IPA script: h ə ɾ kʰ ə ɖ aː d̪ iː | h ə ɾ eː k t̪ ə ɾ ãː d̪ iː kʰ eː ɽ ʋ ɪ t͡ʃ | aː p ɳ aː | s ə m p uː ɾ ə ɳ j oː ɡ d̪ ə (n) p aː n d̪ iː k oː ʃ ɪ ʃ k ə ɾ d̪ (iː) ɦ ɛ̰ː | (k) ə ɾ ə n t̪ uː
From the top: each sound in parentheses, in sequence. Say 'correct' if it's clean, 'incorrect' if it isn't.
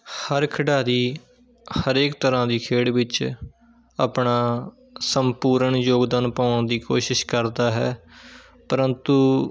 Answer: correct, incorrect, incorrect

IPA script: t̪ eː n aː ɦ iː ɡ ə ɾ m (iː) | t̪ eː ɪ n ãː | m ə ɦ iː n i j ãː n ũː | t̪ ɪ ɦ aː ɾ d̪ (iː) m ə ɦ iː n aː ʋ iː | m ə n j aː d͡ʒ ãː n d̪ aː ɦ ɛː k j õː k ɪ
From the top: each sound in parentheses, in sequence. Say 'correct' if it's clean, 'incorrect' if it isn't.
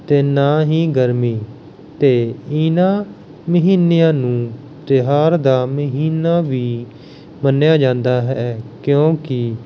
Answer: correct, incorrect

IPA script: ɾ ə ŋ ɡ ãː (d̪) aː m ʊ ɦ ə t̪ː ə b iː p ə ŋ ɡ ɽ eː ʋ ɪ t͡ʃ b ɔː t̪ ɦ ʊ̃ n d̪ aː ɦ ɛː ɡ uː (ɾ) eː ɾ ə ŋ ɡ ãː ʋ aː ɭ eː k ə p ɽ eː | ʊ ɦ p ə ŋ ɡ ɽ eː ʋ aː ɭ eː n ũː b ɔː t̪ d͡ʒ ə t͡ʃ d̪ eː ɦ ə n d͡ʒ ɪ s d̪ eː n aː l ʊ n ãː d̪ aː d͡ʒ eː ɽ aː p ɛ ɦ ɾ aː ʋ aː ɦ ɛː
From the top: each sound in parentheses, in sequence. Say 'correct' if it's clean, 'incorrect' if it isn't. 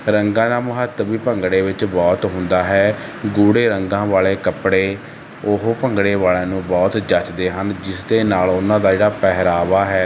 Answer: correct, incorrect

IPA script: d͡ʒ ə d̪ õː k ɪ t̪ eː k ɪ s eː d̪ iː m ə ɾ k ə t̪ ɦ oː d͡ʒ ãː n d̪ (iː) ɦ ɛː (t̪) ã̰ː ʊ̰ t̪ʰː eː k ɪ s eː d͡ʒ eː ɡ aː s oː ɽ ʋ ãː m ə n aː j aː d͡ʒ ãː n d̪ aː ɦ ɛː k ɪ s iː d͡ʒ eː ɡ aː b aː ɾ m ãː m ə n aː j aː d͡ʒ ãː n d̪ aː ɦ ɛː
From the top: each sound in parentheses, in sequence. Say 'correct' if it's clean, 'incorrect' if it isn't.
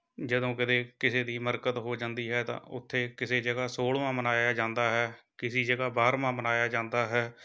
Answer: correct, correct

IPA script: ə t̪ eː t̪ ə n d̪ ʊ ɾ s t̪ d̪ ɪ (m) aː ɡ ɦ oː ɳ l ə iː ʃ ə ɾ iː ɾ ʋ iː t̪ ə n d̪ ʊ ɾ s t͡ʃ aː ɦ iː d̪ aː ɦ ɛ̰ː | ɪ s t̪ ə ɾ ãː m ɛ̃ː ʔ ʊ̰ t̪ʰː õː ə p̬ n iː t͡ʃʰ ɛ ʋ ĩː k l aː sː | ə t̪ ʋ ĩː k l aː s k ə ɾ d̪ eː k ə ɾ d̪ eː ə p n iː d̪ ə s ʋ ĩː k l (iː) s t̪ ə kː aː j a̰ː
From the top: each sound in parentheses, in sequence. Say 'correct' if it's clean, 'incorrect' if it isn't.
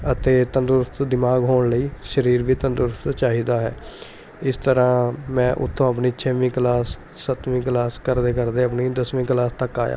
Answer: correct, incorrect

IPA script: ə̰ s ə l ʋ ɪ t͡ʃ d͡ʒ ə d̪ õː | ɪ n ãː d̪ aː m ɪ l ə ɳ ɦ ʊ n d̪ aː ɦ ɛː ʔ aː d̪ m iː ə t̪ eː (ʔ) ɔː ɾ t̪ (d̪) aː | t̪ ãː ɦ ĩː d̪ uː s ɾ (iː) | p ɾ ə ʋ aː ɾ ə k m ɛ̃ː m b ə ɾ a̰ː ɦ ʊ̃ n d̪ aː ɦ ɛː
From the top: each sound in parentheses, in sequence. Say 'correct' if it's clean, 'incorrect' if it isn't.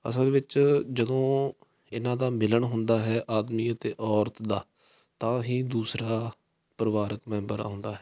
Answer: correct, correct, incorrect

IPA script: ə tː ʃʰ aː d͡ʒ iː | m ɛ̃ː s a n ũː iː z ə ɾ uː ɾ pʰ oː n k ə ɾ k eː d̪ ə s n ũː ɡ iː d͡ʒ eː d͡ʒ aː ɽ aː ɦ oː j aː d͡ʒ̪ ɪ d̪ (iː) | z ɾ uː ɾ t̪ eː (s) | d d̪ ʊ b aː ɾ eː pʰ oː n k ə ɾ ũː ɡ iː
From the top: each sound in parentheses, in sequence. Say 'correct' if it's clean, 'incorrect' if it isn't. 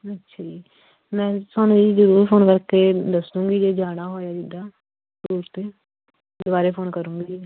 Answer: incorrect, incorrect

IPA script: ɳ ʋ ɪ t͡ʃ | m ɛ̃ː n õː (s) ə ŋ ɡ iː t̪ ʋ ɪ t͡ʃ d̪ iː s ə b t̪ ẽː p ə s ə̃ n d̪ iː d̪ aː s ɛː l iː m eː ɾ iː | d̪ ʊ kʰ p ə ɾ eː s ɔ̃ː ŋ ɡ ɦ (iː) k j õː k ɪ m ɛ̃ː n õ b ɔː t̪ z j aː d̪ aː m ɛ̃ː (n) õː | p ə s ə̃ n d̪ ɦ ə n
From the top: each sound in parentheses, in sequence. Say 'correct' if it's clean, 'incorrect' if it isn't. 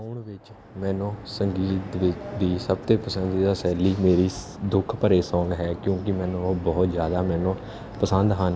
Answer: correct, incorrect, correct

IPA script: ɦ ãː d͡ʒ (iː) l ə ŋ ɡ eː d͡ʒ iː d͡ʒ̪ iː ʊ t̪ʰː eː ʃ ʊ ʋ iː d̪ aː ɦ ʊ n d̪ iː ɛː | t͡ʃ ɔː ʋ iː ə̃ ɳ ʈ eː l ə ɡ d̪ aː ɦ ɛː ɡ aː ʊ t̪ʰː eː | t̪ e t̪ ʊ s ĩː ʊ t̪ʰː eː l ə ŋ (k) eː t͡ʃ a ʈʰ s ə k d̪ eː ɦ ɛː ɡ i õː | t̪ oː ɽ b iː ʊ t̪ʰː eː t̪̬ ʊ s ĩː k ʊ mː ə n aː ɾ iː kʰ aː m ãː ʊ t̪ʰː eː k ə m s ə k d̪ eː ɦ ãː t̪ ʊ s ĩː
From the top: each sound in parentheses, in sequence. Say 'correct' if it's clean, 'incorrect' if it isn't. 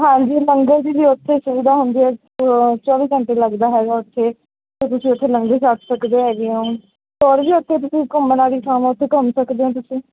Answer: correct, incorrect

